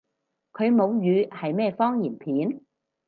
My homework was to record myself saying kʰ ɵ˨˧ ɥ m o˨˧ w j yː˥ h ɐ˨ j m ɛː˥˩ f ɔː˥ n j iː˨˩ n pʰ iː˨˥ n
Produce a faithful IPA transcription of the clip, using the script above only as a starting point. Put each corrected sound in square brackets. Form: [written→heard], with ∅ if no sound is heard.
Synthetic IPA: kʰ ɵ˨˧ ɥ m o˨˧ w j [yː˥→yː˨˧] h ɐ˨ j m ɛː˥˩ f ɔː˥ [n→ŋ] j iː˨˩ n pʰ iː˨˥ n